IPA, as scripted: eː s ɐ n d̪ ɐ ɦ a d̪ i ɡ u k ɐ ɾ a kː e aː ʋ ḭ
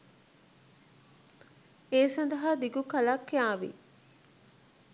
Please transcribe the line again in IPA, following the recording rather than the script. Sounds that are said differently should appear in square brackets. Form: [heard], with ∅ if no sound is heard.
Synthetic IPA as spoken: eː s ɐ n d̪ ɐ ɦ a d̪ i ɡ u k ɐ [l] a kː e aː ʋ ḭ

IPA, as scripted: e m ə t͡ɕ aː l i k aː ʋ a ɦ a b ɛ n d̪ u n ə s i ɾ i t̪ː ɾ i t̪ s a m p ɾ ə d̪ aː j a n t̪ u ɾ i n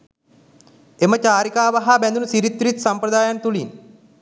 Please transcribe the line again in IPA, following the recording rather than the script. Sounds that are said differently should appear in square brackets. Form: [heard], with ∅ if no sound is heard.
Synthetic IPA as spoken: e m ə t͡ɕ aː [ɾ] i k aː ʋ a ɦ a b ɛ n d̪ u n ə s i ɾ i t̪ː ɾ i t̪ s a m p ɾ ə d̪ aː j a n t̪ u [l] i n

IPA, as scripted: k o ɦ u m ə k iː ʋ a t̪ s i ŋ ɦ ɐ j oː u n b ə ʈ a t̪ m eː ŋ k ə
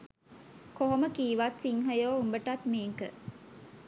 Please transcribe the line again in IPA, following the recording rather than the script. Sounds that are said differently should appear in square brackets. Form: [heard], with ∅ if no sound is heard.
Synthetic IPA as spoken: k o ɦ [o] m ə k iː ʋ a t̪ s i ŋ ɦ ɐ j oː u [m] b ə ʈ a t̪ m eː ŋ k ə

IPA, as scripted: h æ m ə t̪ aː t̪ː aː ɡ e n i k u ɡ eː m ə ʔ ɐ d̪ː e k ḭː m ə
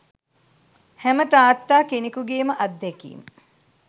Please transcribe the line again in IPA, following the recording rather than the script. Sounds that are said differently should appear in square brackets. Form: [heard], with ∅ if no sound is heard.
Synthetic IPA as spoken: h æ m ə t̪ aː t̪ː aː [k] e n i k u ɡ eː m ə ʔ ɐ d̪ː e k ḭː m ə

